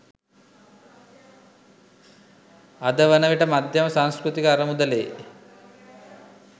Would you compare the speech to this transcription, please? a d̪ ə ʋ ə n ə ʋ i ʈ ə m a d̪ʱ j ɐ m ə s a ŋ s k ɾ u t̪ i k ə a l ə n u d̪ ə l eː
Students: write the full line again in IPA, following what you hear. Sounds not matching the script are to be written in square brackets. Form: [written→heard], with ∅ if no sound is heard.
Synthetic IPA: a d̪ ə ʋ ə n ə ʋ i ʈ ə m a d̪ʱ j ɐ m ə s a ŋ s k ɾ u t̪ i k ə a [l→ɾ] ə [n→m] u d̪ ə l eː